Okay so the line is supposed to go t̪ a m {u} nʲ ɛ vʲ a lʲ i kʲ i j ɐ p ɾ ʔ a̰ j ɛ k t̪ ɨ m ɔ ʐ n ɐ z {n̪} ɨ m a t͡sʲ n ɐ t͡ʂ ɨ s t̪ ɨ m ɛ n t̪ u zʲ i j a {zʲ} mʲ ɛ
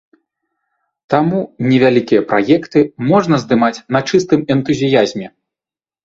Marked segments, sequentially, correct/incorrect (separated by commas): correct, incorrect, correct